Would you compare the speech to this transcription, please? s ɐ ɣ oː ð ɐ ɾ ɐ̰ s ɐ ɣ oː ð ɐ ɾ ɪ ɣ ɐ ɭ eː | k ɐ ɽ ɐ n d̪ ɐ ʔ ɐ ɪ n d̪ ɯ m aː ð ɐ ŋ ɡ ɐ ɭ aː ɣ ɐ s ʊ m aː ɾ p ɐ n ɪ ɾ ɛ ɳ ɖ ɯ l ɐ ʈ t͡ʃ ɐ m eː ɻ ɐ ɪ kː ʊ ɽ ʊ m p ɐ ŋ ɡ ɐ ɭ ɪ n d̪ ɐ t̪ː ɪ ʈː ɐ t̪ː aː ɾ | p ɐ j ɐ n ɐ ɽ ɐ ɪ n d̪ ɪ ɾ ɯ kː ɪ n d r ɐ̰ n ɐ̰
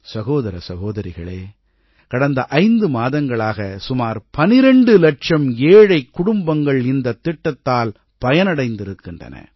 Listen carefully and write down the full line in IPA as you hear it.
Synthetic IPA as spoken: s ɐ ɣ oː ð ɐ ɾ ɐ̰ s ɐ ɣ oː ð ɐ ɾ ɪ ɣ ɐ ɭ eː | k ɐ ɽ ɐ n d̪ ɐ ʔ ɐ ɪ n d̪ ɯ m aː ð ɐ ŋ ɡ ɐ ɭ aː ɣ ɐ s ʊ m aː ɾ p ɐ n ɪ ɾ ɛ ɳ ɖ ɯ l ɐ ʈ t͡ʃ ɐ m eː ɻ ɐ ɪ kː ʊ ɽ ʊ m b ɐ ŋ ɡ ɐ ɭ ɪ n d̪ ɐ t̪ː ɪ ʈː ɐ t̪ː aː l | p ɐ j ɐ n ɐ ɽ ɐ ɪ n d̪ ɪ ɾ ɯ kː ɪ n d r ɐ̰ n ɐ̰

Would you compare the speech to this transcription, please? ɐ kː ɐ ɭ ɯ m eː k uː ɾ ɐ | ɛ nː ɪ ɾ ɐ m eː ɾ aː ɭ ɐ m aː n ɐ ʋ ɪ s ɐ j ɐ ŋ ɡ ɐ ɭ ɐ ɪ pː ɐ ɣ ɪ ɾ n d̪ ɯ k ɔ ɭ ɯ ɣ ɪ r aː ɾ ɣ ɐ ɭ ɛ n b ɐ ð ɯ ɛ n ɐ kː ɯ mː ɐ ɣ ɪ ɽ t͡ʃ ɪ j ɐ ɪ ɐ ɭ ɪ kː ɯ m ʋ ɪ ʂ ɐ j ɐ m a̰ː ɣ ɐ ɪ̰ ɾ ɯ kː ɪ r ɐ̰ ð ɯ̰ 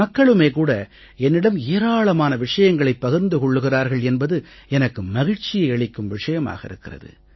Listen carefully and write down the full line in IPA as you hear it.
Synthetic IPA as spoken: ɐ kː ɐ ɭ ɯ m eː k uː ɽ ɐ | ɛ nː ɪ ɽ ɐ m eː ɾ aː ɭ ɐ m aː n ɐ ʋ ɪ ʂ ɐ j ɐ ŋ ɡ ɐ ɭ ɐ ɪ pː ɐ ɣ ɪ ɾ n d̪ ɯ k ɔ ɭː ɯ ɣ ɪ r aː ɾ ɣ ɐ ɭ ɛ n b ɐ ð ɯ ɛ n ɐ kː ɯ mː ɐ ɣ ɪ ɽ t͡ʃ ɪ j ɐ ɪ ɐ ɭ ɪ kː ɯ m ʋ ɪ ʂ ɐ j ɐ m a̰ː ɣ ɐ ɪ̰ ɾ ɯ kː ɪ r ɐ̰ ð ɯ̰

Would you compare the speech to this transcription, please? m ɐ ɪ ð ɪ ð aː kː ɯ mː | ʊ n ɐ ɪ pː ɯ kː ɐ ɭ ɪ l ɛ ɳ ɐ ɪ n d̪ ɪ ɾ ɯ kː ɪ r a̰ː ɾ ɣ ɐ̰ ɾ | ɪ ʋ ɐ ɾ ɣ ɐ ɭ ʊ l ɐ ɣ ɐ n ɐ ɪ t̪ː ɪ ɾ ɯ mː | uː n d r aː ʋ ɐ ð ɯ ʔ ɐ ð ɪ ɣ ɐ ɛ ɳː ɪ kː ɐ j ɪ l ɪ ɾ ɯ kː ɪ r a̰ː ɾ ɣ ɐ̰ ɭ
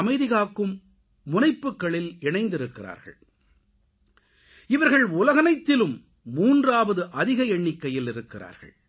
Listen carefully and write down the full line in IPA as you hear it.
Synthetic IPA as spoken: m ɐ ɪ ð ɪ ɣ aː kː ɯ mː | ʊ n ɐ ɪ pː ɯ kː ɐ ɭ ɪ l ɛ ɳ ɐ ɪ n d̪ ɪ ɾ ɯ kː ɪ r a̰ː ɾ ɣ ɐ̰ ɭ | ɪ ʋ ɐ ɾ ɣ ɐ ɭ ʊ l ɐ ɣ ɐ n ɐ ɪ t̪ː ɪ l ɯ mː | uː n d r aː ʋ ɐ ð ɯ ʔ ɐ ð ɪ ɣ ɐ ɛ ɳː ɪ kː ɐ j ɪ l ɪ ɾ ɯ kː ɪ r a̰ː ɾ ɣ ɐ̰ ɭ

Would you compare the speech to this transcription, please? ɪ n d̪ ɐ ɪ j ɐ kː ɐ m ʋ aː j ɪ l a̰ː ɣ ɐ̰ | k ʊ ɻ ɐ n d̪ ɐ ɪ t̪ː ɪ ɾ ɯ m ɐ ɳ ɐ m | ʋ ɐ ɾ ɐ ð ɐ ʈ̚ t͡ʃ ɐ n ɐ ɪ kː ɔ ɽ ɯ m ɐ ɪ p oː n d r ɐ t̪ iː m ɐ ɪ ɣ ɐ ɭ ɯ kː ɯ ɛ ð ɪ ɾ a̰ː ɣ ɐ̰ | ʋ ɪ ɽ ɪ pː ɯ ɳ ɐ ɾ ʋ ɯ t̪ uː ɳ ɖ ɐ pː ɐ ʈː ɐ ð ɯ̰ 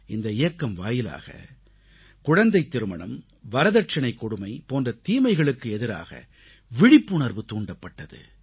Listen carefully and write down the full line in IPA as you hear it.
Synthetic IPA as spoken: ɪ n d̪ ɐ ɪ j ɐ kː ɐ m ʋ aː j ɪ l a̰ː ɣ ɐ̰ | k ʊ ɻ ɐ n d̪ ɐ ɪ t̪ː ɪ ɾ ɯ m ɐ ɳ ɐ m | ʋ ɐ ɾ ɐ ð ɐ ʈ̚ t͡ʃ ɐ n ɐ ɪ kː ɔ ɽ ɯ m ɐ ɪ p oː n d r ɐ t̪ iː m ɐ ɪ ɣ ɐ ɭ ɯ kː ɯ ɛ ð ɪ ɾ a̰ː ɣ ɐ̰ | ʋ ɪ ɽ ɪ pː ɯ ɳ ɐ ɾ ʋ ɯ t̪ uː ɳ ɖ ɐ pː ɐ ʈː ɐ ð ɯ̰

